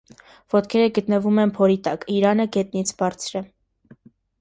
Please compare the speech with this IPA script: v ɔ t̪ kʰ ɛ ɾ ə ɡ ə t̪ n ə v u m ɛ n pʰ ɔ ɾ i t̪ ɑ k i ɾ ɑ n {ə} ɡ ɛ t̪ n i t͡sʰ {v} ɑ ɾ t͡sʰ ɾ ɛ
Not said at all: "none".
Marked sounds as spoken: ə, b

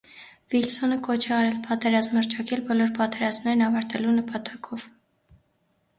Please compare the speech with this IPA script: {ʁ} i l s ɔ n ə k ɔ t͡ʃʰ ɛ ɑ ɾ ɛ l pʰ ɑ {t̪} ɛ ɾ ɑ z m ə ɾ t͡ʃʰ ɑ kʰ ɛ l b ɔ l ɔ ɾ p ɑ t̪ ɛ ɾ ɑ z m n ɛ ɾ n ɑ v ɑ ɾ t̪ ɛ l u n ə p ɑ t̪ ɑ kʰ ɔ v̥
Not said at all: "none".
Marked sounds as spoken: v, t̪

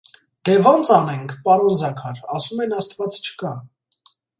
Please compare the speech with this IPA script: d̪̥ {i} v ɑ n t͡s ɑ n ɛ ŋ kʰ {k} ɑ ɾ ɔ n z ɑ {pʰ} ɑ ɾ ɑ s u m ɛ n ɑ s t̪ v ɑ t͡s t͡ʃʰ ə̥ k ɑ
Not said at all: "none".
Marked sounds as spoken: ɛ, p, kʰ

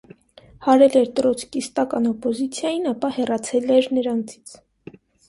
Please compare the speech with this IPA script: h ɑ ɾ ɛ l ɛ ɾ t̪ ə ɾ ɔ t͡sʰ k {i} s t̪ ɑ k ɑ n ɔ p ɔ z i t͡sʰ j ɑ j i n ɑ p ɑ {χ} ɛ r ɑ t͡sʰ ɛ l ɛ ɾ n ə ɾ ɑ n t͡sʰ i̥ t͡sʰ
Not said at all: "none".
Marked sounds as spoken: i, h

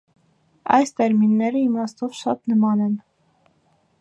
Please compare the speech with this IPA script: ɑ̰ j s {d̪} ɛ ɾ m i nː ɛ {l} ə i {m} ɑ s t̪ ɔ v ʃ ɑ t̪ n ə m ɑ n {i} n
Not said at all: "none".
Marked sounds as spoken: t̪, ɾ, m, ɛ

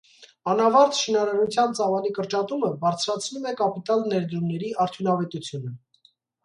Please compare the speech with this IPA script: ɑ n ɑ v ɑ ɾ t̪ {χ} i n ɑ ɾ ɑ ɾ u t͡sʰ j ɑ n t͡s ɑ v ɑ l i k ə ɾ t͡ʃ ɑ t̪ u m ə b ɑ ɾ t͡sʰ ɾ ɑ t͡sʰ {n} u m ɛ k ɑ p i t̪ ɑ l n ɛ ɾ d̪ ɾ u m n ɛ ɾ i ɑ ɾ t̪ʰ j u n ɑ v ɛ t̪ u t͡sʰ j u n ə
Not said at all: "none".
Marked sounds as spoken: ʃ, n

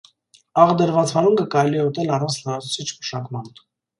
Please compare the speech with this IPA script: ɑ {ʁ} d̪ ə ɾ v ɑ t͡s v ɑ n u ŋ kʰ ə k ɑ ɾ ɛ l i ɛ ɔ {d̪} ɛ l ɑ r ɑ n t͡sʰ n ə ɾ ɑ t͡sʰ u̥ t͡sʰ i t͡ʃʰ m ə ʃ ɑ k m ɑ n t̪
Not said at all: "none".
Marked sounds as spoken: ʁ, t̪

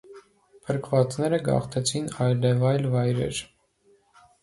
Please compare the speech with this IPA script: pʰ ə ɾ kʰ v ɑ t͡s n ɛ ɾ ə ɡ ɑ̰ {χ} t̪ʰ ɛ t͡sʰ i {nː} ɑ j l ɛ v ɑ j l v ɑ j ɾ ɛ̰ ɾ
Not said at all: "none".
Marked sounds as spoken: χ, n

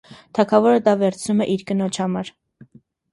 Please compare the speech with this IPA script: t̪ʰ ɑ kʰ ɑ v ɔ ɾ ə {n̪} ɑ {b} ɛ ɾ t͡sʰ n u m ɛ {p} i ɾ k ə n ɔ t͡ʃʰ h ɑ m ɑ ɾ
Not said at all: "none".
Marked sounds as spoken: d̪, v, ʔ

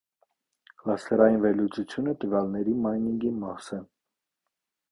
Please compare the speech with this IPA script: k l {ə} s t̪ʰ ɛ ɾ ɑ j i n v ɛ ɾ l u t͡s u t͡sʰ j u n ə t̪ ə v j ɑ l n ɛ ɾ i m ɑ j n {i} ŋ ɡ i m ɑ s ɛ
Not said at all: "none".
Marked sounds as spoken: ɑ, i

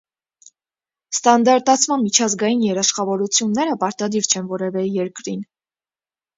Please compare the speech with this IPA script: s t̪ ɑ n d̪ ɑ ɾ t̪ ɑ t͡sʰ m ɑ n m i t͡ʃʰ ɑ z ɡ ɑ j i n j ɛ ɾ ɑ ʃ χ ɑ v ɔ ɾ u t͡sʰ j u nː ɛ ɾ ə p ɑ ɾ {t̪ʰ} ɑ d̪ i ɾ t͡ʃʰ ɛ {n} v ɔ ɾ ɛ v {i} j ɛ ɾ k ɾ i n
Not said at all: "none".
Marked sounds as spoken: t̪, n, ɛ

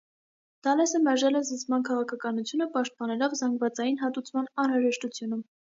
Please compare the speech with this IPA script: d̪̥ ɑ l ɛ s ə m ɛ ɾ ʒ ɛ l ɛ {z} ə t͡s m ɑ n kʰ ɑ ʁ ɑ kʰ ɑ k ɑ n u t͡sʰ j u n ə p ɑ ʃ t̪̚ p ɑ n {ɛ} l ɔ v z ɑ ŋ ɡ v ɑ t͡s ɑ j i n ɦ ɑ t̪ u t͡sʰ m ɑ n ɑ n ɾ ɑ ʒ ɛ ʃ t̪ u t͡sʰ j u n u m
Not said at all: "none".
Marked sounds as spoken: z, ɛ

